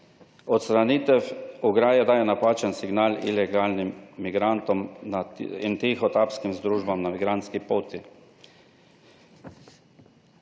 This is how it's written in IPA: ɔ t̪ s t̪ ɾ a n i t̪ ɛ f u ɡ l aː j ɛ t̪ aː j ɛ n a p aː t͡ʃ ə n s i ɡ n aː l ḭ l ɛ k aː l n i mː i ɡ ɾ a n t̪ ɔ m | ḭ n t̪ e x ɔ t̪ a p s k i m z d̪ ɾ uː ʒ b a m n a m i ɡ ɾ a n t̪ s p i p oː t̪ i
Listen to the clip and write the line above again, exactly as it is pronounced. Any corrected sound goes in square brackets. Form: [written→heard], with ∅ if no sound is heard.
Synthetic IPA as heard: ɔ t̪ s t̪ ɾ a n i t̪ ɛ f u ɡ [l→ɾ] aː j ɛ [t̪→d̪] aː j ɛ n a p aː t͡ʃ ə n s i ɡ n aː l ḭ l ɛ [k→ɡ] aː l n i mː i ɡ ɾ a n t̪ ɔ m | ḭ n t̪ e x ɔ t̪ a p s k i m z d̪ ɾ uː ʒ b a m n a m i ɡ ɾ a n t̪ s [p→k] i p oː t̪ i